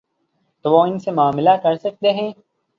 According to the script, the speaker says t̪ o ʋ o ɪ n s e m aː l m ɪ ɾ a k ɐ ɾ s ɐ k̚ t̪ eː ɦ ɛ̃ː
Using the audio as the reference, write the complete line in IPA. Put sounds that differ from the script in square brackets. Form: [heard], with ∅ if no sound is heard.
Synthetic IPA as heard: t̪ o ʋ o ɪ n s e m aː [∅] m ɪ [l] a k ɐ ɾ s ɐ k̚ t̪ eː ɦ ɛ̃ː